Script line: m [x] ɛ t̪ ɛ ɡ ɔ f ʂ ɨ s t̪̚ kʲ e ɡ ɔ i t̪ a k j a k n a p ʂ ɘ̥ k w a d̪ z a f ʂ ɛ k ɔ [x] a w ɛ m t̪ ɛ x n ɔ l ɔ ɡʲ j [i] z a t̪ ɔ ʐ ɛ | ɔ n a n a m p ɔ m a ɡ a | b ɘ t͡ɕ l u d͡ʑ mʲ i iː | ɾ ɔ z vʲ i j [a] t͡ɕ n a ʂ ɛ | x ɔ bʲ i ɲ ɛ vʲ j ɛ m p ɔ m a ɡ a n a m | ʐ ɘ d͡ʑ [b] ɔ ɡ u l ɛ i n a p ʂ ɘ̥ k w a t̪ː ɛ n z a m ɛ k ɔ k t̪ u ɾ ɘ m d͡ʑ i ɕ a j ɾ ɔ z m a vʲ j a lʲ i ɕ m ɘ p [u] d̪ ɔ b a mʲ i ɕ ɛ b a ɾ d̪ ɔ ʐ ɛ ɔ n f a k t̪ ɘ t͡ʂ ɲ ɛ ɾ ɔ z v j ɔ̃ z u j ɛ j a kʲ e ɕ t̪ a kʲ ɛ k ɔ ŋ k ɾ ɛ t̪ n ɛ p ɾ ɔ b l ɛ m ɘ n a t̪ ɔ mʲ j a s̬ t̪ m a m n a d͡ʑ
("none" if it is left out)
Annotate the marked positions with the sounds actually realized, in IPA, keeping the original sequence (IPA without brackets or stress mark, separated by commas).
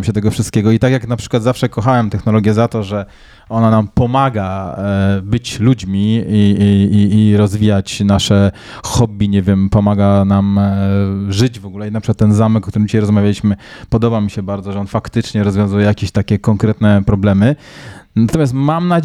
ɕ, x, ɛ, a, v, ɔ